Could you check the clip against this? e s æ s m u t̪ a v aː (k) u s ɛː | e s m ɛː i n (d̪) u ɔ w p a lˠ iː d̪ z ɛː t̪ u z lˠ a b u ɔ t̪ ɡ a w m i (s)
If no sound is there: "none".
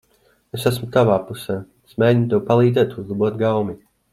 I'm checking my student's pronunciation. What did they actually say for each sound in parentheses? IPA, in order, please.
p, t̪, none

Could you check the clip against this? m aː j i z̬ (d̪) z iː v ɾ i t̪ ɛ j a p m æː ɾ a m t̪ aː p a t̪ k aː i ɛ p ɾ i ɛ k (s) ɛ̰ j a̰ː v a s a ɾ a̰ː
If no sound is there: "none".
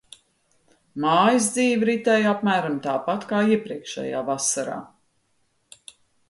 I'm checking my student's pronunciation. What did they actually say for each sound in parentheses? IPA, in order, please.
d̪, ʃ

